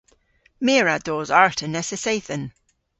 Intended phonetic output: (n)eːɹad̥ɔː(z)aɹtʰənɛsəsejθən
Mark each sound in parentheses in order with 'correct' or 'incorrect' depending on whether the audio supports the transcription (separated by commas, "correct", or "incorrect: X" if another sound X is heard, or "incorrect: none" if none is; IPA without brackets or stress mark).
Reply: incorrect: m, correct